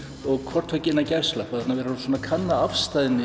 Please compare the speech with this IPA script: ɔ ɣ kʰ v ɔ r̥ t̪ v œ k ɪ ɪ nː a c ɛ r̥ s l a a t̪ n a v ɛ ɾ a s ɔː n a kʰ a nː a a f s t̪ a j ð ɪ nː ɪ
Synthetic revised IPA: ɔ ɣ kʰ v ɔ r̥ t̪ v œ c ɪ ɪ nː a c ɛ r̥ s l a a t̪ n a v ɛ ɾ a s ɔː n a kʰ a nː a a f s t̪ a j ð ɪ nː ɪ